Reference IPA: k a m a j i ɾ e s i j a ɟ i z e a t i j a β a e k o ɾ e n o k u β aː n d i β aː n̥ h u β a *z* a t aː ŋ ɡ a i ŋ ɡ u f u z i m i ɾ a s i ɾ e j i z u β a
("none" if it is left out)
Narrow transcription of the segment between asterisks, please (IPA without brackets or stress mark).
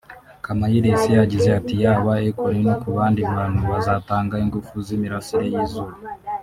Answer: z